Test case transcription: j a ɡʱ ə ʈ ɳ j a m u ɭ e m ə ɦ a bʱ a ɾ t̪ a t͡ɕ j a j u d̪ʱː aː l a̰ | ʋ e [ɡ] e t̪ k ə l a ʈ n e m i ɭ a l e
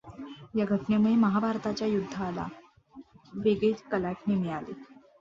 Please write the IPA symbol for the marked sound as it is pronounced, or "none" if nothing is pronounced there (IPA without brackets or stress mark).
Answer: ɡ